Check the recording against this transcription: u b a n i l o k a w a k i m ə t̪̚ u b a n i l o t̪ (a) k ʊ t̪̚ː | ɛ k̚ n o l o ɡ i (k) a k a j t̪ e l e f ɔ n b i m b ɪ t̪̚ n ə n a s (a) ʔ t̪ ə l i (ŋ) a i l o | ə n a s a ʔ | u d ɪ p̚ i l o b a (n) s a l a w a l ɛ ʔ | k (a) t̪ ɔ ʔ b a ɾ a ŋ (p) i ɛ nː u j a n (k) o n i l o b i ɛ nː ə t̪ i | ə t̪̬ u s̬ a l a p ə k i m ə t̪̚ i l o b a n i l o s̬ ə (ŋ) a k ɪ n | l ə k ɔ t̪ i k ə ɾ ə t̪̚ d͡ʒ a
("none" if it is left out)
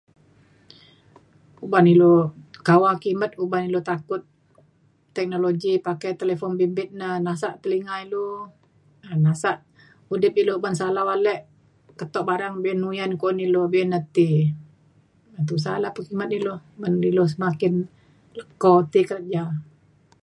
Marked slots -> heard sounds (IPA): a, p, a, ŋ, n, ə, b, k, m

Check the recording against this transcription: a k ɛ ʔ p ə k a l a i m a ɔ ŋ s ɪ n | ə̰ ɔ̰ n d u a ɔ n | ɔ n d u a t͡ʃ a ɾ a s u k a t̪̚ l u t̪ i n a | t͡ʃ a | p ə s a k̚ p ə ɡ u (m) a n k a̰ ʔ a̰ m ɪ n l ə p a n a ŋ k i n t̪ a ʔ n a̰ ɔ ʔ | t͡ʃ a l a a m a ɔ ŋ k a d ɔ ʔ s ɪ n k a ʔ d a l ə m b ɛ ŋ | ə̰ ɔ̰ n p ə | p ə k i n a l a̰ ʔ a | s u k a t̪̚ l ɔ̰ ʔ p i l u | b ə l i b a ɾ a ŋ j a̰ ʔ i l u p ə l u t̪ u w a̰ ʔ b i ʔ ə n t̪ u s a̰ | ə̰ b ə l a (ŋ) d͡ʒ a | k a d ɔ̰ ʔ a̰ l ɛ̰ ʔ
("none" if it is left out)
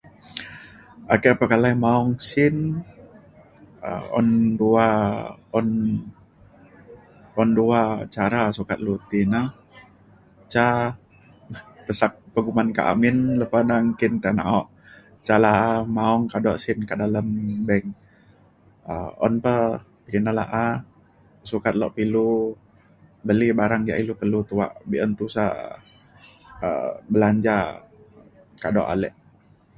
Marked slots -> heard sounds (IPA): m, ɲ

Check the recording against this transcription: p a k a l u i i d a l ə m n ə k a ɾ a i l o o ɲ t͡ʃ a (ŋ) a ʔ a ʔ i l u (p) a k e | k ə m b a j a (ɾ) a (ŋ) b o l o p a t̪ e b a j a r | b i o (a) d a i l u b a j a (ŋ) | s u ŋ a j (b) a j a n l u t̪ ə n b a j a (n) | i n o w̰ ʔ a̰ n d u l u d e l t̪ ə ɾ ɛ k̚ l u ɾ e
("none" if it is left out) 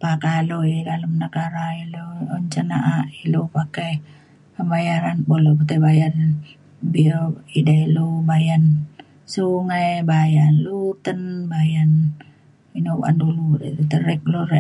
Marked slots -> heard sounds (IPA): n, p, ɾ, n, i, n, b, n

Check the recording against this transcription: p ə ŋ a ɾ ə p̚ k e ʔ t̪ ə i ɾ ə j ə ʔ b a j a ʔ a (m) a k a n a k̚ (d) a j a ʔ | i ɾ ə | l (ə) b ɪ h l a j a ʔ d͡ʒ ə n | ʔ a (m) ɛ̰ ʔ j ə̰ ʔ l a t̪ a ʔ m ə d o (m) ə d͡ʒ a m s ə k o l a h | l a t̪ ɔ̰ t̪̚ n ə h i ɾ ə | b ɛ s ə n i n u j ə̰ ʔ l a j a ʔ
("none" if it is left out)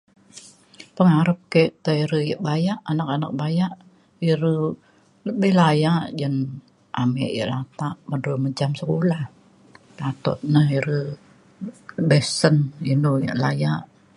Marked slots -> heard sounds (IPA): n, b, ə, m, m

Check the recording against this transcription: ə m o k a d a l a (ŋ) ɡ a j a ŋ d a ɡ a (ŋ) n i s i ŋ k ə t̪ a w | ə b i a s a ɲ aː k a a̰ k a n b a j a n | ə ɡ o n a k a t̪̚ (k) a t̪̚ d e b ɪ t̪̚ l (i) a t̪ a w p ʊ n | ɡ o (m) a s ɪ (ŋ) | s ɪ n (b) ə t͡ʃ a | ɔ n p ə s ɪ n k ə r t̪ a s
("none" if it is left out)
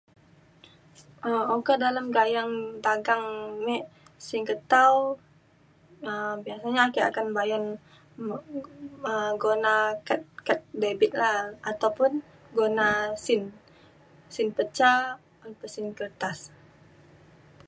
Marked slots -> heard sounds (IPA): m, ŋ, k, a, n, n, p

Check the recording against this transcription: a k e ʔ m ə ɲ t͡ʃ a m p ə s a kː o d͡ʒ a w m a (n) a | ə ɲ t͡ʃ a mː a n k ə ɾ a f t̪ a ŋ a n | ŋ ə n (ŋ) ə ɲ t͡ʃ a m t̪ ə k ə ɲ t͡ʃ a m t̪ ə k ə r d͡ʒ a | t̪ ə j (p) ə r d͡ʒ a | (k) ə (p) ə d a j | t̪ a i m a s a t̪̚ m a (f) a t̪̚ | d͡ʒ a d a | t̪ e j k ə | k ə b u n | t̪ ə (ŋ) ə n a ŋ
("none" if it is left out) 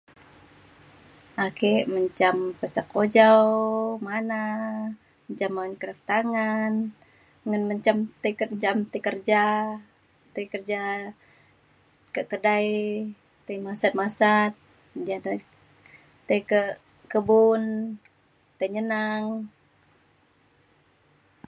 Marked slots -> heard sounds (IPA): n, m, k, k, k, s, ɲ

